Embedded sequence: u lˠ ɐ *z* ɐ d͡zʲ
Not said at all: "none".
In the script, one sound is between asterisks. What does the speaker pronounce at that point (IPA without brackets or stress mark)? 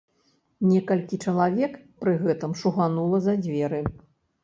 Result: z